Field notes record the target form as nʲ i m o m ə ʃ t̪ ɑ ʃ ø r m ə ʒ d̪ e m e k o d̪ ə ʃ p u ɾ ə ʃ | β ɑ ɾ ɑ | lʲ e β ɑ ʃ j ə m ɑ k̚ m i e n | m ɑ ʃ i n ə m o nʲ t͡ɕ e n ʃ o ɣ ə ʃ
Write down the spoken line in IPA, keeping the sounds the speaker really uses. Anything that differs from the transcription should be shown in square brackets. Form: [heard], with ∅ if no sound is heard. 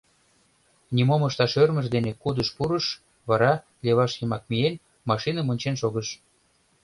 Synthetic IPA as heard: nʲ i m o m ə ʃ t̪ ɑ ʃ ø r m ə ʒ d̪ e [n] e k [u] d̪ ə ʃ p u ɾ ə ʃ | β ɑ ɾ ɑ | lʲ e β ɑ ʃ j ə m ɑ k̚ m i e n | m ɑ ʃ i n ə m o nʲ t͡ɕ e n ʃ o ɣ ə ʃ